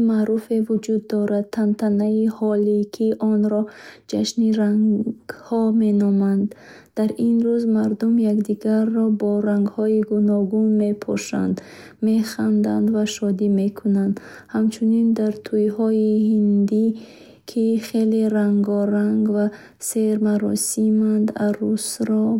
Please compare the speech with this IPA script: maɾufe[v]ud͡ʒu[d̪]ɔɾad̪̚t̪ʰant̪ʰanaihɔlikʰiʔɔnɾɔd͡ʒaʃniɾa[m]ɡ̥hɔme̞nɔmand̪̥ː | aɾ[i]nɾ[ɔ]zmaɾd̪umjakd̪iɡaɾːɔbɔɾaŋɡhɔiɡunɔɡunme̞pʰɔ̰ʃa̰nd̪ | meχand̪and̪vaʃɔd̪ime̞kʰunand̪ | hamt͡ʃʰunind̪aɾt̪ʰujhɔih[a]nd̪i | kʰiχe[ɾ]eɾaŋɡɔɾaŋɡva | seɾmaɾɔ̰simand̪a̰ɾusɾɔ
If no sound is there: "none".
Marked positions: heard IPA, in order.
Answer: v, d̪ː, ŋ, i, u, i, l

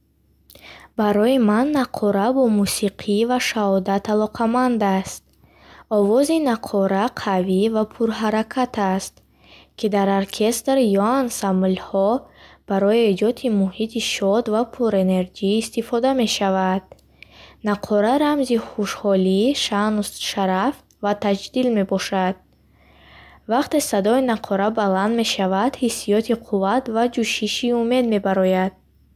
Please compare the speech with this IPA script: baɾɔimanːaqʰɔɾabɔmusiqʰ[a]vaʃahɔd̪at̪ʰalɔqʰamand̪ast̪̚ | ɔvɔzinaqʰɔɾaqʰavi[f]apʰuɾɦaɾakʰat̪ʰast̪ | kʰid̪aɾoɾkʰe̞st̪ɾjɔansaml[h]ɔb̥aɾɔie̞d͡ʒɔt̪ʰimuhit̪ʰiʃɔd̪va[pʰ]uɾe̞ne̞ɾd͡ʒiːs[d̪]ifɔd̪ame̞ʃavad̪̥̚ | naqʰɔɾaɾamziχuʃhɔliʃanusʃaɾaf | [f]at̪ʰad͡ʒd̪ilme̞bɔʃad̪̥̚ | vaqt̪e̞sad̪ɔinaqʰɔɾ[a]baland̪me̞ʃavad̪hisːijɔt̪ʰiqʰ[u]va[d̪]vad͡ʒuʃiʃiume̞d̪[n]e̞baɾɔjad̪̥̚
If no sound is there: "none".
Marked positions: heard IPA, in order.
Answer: i, v, h, pʰ, t̪, v, a, u, t̪, m

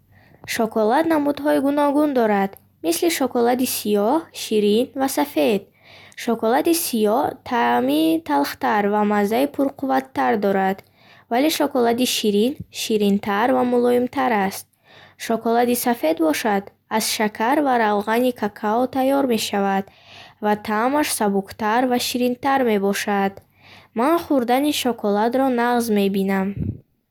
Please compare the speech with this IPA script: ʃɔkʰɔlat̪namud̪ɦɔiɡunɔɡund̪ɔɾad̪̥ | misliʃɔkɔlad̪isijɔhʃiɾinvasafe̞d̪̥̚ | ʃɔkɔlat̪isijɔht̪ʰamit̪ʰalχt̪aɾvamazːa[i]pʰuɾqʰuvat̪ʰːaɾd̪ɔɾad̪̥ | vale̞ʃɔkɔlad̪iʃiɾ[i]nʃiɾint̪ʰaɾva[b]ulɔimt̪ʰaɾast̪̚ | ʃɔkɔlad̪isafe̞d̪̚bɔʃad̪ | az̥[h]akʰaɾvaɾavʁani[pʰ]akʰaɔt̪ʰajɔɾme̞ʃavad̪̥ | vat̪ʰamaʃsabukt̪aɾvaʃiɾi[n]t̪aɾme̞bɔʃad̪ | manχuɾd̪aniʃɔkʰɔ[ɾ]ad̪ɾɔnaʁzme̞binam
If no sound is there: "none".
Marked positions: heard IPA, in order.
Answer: i, i, m, ʃ, kʰ, n, l

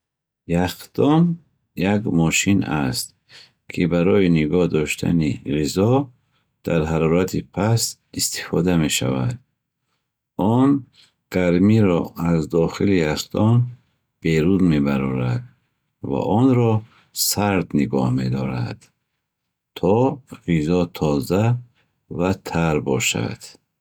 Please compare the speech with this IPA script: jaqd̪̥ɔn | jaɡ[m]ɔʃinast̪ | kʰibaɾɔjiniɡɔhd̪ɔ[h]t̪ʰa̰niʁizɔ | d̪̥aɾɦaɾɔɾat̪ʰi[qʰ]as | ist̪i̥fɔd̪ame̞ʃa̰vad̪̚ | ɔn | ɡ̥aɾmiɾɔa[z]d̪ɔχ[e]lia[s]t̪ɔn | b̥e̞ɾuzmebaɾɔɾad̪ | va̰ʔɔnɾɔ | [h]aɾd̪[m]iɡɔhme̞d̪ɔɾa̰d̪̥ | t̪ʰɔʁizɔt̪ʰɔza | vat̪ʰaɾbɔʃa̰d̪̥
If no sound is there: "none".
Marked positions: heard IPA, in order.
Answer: m, ʃ, pʰ, z, i, s, s, n

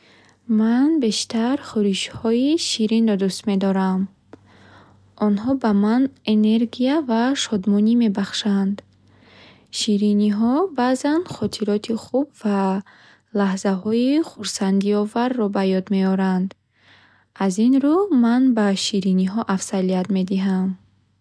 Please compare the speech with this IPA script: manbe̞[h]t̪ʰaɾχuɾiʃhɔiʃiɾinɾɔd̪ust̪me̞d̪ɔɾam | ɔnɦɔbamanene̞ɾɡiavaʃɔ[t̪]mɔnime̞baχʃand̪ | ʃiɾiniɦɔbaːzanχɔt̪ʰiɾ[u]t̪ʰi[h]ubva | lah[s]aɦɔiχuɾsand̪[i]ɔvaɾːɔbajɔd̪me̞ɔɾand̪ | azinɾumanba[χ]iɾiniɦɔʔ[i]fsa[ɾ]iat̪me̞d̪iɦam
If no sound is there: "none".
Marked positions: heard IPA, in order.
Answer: ʃ, d̪, ɔ, χ, z, i, ʃ, a, l

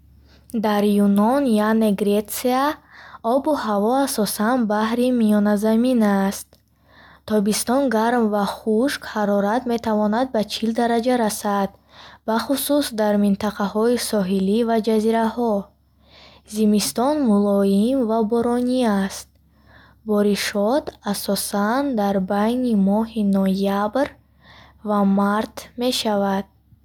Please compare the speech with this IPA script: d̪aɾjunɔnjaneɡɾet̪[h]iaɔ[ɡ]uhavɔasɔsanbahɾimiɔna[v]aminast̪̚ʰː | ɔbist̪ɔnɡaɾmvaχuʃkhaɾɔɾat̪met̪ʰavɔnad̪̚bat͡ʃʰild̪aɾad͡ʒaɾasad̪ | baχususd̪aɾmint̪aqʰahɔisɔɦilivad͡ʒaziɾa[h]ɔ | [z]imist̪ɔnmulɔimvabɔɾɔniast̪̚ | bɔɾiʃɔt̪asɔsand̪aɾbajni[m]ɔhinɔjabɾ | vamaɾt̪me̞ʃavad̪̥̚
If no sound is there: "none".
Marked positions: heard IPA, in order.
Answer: s, b, z, h, z, m

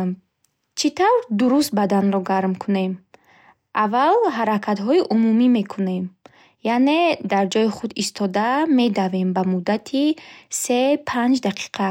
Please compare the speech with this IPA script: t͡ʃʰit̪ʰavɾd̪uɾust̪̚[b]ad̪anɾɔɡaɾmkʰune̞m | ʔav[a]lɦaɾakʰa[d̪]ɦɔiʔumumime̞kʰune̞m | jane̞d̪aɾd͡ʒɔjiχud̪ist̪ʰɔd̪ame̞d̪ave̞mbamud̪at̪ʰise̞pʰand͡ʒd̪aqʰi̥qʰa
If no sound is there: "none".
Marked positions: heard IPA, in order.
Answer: b, a, t̪

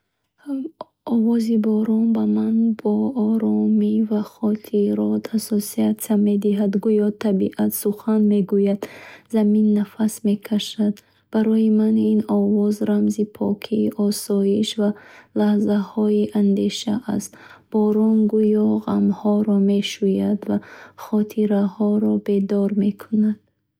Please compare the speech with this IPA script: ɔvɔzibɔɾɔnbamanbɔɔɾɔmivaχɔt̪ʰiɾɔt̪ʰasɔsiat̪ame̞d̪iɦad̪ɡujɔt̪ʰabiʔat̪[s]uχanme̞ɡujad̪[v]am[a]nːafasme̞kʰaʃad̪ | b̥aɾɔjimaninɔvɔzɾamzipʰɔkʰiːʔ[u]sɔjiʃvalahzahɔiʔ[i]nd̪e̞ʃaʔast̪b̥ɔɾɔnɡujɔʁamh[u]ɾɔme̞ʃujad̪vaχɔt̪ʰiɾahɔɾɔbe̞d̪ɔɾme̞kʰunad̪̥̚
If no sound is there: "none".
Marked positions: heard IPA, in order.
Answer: s, z, i, ɔ, a, ɔ

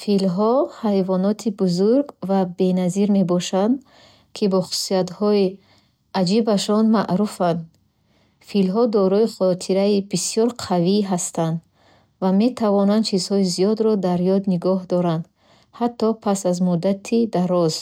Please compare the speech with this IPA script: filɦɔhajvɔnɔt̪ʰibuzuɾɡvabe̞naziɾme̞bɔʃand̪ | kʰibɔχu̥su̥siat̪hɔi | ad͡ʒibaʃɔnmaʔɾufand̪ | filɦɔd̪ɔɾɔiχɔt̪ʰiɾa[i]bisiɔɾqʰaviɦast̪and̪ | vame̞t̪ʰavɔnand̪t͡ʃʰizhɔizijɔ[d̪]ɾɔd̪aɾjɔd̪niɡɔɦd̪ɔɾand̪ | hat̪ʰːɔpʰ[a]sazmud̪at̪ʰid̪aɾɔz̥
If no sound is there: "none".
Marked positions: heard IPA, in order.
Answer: i, d̪, a

